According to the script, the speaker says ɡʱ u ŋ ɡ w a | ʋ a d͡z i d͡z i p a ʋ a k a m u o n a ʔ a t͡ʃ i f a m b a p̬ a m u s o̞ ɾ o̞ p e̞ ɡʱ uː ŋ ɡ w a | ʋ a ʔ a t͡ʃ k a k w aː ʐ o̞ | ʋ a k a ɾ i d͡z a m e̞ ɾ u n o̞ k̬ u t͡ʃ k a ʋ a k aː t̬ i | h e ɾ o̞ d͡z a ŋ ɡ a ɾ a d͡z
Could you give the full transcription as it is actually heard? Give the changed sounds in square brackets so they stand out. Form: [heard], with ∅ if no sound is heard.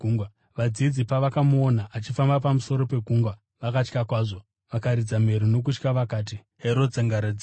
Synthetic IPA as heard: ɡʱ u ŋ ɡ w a | ʋ a d͡z i d͡z i p a ʋ a k a m u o n a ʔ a t͡ʃ i f a m b a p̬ a m u s o̞ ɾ o̞ p e̞ ɡʱ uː ŋ ɡ w a | ʋ a [k] a t͡ʃ k a k w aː ʐ o̞ | ʋ a k a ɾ i d͡z a m e̞ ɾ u n o̞ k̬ u t͡ʃ k a ʋ a k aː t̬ i | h e ɾ o̞ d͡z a ŋ ɡ a ɾ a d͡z